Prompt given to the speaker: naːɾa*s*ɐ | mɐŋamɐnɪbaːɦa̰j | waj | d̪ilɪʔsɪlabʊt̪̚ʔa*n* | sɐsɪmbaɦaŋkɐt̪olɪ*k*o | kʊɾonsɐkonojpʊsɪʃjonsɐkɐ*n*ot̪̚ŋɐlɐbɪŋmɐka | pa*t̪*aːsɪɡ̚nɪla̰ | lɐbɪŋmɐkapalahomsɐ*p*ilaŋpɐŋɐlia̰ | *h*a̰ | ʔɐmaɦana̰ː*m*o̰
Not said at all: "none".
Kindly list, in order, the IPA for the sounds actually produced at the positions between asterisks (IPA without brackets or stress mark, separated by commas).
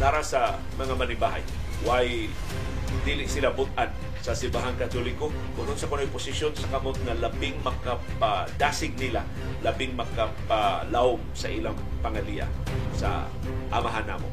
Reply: s, n, k, m, d̪, ʔ, s, m